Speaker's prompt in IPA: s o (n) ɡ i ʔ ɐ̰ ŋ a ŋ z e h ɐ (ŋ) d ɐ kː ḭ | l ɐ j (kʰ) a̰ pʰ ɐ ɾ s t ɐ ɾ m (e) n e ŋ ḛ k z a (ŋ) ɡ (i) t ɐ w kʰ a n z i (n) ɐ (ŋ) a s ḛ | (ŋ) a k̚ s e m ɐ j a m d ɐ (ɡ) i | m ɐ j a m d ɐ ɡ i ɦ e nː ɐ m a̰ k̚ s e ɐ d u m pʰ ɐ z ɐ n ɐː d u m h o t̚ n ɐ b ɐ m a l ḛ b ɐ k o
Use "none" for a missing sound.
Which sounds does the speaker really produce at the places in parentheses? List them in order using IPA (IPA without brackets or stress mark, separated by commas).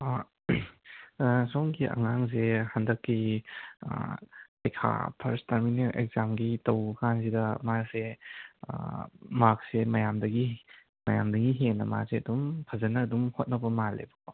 ŋ, n, kʰ, i, m, i, d, m, m, ɡ